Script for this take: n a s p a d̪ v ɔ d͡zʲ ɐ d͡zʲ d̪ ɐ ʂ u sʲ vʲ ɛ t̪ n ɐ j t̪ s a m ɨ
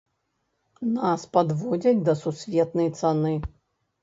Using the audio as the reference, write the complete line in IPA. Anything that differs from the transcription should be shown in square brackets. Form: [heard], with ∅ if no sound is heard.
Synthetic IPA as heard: n a s p a d̪ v ɔ d͡zʲ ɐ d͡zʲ d̪ ɐ [s] u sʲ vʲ ɛ t̪ n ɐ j t̪ s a [n] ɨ